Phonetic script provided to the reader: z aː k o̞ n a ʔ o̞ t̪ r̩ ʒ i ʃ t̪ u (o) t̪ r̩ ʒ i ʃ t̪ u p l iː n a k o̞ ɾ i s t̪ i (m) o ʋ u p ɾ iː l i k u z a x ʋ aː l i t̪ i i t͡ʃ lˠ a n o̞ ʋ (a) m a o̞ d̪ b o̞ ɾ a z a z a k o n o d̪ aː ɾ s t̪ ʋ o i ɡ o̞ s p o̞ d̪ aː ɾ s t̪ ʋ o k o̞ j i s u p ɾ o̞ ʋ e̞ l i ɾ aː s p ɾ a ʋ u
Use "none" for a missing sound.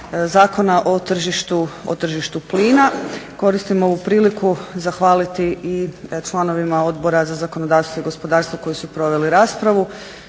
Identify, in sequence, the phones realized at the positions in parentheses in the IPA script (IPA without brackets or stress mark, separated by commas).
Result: o, m, i